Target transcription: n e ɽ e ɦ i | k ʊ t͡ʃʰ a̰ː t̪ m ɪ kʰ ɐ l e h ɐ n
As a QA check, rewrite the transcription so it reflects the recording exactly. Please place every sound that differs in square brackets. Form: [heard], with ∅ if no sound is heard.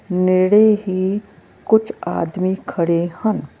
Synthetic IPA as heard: n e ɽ e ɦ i | k ʊ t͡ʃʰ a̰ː [d̪] m [i] kʰ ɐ [ɽ] e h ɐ n